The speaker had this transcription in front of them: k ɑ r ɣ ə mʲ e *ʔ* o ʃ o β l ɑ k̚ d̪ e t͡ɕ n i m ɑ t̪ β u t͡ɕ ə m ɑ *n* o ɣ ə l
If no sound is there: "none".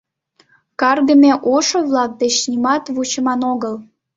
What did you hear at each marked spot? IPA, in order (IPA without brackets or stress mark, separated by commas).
ʔ, n